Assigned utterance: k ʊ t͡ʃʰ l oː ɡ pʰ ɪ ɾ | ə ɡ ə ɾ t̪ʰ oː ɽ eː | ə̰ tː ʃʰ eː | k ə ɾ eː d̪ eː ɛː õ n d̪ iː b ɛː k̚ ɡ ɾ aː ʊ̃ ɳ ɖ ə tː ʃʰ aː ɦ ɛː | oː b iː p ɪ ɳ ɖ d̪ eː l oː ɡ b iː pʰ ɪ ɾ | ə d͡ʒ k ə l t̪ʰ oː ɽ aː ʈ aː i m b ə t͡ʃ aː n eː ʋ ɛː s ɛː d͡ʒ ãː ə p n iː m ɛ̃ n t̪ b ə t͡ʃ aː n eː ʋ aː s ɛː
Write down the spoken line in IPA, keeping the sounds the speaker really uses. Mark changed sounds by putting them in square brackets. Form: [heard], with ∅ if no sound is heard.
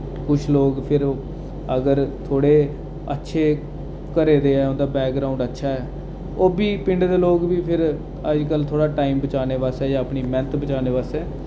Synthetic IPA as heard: k ʊ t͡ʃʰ l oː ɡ pʰ ɪ ɾ | ə ɡ ə ɾ t̪ʰ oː ɽ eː | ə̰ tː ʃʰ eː | k ə ɾ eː d̪ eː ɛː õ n d̪ [aː] b ɛː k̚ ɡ ɾ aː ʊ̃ ɳ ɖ ə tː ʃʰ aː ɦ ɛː | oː b iː p ɪ ɳ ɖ d̪ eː l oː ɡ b iː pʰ ɪ ɾ | ə d͡ʒ k ə l t̪ʰ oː ɽ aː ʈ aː i m b ə t͡ʃ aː n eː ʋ [aː] s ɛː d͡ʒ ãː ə p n iː m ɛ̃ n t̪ b ə t͡ʃ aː n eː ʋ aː s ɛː

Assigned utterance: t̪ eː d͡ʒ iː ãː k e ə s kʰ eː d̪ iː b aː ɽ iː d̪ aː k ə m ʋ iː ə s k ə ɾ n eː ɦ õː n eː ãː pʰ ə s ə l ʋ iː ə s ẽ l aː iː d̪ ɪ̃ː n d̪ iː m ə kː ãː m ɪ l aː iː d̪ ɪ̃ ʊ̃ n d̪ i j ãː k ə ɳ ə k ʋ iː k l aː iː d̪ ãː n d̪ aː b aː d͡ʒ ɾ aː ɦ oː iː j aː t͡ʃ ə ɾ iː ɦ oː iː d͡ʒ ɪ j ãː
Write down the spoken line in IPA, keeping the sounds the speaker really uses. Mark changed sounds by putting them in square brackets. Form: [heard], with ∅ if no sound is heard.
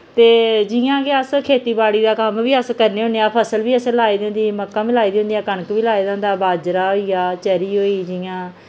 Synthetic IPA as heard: t̪ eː d͡ʒ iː ãː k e ə s kʰ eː [t̪] iː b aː ɽ iː d̪ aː k ə m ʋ iː ə s k ə ɾ n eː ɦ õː n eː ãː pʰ ə s ə l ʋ iː ə s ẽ l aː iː d̪ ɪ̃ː n d̪ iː m ə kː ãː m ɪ l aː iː d̪ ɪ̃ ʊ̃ n d̪ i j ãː k ə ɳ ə k ʋ iː [∅] l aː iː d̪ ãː n d̪ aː b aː d͡ʒ ɾ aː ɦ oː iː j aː t͡ʃ ə ɾ iː ɦ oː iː d͡ʒ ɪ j ãː

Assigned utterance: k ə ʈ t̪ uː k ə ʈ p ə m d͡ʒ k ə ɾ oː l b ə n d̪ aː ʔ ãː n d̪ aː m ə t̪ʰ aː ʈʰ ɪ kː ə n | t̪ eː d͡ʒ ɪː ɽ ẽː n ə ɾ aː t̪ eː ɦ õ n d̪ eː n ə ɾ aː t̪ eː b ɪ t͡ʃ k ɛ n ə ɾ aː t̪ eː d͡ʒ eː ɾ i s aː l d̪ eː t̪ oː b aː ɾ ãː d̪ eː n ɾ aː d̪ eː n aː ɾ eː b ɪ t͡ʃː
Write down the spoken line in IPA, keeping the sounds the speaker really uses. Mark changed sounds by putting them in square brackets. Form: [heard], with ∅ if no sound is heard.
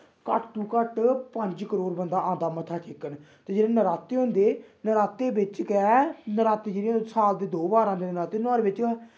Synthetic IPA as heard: k ə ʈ t̪ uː k ə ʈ p ə [ɲ] d͡ʒ k ə ɾ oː [ɾ] b ə n d̪ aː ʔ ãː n d̪ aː m ə t̪ʰ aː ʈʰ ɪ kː ə n | t̪ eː d͡ʒ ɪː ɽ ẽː n ə ɾ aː t̪ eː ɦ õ n d̪ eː n ə ɾ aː t̪ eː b ɪ t͡ʃ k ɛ n ə ɾ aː t̪ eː d͡ʒ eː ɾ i s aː l d̪ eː [d̪] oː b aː ɾ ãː d̪ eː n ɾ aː [t̪] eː n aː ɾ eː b ɪ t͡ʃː

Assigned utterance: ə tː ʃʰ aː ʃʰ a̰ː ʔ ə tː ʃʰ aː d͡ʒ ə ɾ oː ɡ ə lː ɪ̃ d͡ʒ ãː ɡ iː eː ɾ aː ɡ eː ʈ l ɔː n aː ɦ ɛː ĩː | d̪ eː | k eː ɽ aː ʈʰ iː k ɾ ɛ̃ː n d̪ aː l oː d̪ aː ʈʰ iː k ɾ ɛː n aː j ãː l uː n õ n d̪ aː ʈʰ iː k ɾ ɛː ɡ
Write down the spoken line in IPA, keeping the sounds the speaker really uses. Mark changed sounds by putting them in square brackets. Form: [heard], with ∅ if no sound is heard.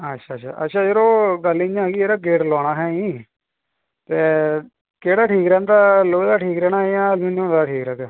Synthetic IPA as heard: ə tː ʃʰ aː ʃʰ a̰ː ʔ ə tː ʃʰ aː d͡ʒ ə ɾ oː ɡ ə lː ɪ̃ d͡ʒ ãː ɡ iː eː ɾ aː ɡ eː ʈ l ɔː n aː ɦ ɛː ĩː | [t̪] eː | k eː ɽ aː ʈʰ iː k ɾ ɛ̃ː n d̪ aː l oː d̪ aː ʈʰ iː k ɾ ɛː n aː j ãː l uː n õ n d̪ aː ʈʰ iː k ɾ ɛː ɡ

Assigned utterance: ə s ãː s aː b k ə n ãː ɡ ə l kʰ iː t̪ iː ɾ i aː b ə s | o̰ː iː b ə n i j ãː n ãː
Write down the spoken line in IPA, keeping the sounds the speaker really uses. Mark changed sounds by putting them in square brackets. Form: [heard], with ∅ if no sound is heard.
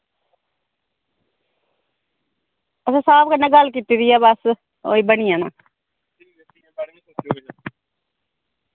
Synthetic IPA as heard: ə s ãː s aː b k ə n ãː ɡ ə l [k] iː t̪ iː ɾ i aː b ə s | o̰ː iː b ə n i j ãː n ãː

